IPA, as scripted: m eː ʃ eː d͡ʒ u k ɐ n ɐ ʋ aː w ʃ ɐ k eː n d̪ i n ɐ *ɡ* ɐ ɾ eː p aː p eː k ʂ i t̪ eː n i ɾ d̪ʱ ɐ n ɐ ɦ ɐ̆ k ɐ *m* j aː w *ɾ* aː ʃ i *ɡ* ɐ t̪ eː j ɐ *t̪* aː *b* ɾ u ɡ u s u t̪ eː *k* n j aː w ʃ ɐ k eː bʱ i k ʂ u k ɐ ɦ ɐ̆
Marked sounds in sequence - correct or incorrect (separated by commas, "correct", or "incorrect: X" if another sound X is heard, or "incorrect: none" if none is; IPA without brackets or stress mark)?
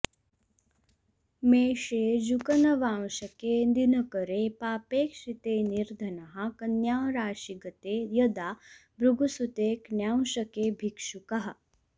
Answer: incorrect: k, incorrect: n, correct, correct, incorrect: d̪, correct, correct